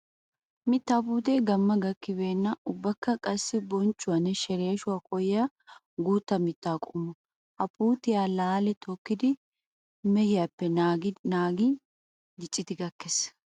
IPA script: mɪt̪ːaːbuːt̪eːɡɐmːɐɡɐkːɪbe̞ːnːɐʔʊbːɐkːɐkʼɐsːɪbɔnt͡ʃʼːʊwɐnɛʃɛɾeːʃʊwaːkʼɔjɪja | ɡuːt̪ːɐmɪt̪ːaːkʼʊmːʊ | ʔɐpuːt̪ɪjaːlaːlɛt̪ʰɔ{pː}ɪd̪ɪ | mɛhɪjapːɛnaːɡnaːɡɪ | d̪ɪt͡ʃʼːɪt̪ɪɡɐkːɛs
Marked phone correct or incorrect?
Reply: incorrect